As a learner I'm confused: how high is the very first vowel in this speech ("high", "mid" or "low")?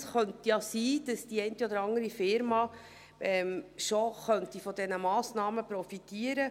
mid